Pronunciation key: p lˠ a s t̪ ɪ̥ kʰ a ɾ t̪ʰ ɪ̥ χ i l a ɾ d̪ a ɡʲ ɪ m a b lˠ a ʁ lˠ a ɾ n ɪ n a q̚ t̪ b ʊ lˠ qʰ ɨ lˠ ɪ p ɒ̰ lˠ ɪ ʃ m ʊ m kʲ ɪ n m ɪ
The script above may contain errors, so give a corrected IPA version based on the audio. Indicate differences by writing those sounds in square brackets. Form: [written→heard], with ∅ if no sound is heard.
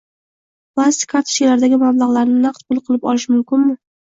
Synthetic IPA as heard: p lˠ a s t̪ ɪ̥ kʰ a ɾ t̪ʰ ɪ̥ [χ→ʃ] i l a ɾ d̪ a ɡʲ ɪ m a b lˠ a ʁ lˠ a ɾ n ɪ n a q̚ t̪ b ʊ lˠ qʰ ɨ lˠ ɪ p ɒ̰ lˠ ɪ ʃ m ʊ m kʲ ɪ n m ɪ